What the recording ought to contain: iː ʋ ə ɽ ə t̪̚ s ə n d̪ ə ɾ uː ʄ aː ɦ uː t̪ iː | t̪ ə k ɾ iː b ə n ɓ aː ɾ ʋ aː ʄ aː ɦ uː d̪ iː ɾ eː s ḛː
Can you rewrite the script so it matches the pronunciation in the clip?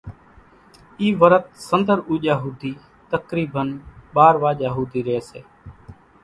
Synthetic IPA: iː ʋ ə ɾ ə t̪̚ s ə n d̪ ə ɾ uː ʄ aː ɦ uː d̪ iː | t̪ ə k ɾ iː b ə n ɓ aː ɾ ʋ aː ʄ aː ɦ uː d̪ iː ɾ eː s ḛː